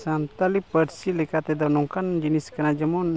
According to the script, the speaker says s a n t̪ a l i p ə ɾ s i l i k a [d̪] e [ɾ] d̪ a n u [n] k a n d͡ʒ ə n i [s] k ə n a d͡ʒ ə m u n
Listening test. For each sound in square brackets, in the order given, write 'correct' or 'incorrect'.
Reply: incorrect: t̪, incorrect: none, incorrect: ŋ, correct

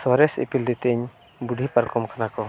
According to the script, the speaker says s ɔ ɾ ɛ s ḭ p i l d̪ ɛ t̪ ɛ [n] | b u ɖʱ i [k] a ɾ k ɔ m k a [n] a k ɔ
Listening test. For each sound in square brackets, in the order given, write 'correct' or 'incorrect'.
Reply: incorrect: ɲ, incorrect: p, correct

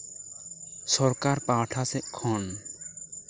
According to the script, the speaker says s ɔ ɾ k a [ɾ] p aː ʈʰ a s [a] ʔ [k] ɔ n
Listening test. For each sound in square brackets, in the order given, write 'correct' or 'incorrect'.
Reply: correct, incorrect: ɛ, incorrect: kʰ

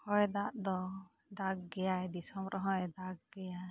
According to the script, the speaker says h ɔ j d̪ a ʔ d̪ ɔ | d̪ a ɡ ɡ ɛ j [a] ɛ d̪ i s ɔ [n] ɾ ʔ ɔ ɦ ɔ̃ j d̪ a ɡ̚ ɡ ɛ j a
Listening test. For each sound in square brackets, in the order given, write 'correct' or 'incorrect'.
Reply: correct, incorrect: m

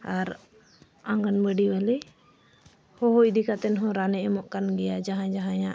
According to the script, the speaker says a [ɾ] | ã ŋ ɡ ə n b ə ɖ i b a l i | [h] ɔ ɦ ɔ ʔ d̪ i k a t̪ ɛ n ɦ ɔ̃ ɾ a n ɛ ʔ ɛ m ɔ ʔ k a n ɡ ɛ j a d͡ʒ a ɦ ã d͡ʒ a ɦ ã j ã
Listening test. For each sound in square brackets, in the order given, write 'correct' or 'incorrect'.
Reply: correct, correct

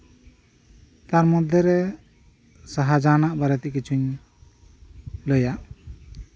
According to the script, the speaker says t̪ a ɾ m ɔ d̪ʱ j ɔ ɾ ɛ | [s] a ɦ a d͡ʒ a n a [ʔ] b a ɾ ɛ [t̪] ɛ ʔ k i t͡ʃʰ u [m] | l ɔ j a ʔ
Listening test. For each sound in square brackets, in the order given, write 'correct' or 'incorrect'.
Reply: correct, correct, correct, incorrect: ɲ

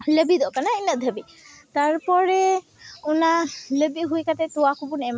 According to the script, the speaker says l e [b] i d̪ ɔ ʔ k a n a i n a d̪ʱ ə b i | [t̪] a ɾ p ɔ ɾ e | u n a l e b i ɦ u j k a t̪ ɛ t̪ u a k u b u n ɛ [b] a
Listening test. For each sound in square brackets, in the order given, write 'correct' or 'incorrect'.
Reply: correct, correct, incorrect: m

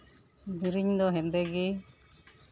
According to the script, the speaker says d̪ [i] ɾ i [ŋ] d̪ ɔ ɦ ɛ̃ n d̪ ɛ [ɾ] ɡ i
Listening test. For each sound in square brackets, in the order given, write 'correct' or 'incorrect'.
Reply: correct, incorrect: ɲ, incorrect: none

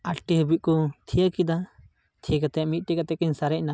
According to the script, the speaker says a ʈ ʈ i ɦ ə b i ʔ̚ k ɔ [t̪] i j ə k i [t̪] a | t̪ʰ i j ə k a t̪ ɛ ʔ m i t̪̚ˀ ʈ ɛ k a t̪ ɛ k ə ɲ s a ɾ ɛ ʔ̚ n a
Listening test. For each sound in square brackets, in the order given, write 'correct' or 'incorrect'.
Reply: incorrect: t̪ʰ, incorrect: d̪

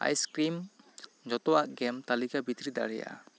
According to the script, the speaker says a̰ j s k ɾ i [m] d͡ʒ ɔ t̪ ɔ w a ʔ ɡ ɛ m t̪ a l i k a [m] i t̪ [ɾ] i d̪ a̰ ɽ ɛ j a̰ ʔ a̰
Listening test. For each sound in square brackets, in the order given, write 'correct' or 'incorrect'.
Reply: correct, incorrect: b, correct

